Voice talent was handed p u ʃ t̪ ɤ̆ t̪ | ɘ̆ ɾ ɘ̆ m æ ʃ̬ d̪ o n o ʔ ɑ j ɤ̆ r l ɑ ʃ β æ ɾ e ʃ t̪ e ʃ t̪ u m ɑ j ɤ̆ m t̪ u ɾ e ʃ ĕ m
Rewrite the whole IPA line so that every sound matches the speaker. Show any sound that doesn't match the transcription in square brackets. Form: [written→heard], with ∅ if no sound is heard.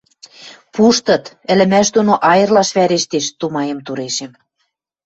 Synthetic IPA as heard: p u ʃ t̪ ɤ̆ t̪ | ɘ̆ [ɾ→l] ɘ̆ m æ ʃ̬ d̪ o n o ʔ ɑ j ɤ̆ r l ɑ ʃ β æ ɾ e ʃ t̪ e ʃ t̪ u m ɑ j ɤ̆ m t̪ u ɾ e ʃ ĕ m